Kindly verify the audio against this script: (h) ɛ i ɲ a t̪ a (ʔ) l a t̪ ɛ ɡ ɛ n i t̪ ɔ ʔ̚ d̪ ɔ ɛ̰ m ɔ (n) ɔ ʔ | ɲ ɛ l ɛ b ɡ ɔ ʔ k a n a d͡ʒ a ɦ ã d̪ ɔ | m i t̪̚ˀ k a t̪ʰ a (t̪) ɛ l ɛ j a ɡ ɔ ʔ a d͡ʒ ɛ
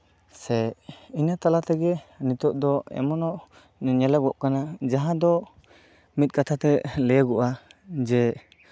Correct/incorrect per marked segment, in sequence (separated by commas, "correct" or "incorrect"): incorrect, incorrect, correct, correct